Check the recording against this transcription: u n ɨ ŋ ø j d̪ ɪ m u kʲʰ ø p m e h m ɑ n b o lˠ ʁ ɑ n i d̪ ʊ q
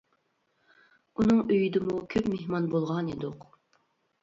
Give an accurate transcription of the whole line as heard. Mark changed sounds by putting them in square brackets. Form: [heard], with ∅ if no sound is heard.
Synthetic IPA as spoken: u n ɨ ŋ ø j d̪ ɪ m u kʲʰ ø p m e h m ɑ n b o lˠ ʁ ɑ n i d̪ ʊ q